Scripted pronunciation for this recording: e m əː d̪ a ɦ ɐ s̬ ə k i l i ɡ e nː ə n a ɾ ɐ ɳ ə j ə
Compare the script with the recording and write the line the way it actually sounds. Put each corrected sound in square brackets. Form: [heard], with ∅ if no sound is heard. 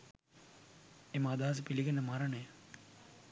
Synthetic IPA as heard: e m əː d̪ a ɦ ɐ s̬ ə [p] i l i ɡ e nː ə [m] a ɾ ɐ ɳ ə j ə